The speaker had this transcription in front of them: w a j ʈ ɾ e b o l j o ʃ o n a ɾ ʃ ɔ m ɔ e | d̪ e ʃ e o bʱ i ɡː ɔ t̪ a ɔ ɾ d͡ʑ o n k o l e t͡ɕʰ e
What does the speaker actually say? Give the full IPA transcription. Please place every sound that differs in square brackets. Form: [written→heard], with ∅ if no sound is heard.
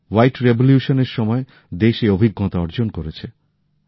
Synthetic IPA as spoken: w a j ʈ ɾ e b o l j [o→u] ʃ o n [a→e] ɾ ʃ ɔ m ɔ e | d̪ e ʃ e o bʱ i ɡː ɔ t̪ a ɔ ɾ d͡ʑ o n k o [l→ɾ] e t͡ɕʰ e